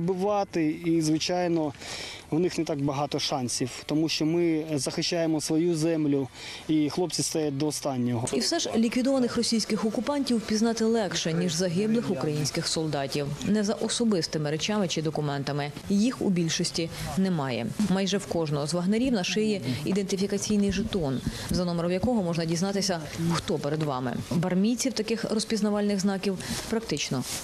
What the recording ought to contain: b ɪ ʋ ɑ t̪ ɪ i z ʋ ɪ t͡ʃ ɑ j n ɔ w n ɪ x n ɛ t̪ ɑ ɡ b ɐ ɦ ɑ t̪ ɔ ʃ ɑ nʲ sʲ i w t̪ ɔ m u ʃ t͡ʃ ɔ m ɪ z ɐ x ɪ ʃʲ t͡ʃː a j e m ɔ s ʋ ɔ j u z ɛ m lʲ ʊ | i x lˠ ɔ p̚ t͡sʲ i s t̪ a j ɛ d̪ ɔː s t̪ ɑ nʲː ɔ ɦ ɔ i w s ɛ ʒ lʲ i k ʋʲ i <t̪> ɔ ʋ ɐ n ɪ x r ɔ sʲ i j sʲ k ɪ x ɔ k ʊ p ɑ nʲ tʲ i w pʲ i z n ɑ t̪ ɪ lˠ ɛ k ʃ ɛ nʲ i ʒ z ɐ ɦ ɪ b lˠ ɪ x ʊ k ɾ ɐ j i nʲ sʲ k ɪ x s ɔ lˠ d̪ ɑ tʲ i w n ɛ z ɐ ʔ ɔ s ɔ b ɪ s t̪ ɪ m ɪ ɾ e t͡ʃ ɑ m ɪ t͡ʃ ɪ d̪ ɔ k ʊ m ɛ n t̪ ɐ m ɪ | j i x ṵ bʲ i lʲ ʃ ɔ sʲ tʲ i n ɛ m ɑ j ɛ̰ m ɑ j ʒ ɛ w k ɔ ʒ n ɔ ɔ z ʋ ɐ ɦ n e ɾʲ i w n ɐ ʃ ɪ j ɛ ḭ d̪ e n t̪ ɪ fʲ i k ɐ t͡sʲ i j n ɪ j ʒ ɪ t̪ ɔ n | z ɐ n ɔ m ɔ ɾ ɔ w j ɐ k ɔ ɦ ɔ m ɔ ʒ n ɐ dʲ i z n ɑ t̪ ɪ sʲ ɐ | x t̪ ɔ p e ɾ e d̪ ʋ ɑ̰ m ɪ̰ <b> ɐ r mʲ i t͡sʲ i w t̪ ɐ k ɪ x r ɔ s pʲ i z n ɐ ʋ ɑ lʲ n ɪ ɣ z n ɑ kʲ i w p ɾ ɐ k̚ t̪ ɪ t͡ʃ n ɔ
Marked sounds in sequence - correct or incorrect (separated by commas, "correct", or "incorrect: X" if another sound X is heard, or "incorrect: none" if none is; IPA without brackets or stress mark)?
incorrect: d̪, correct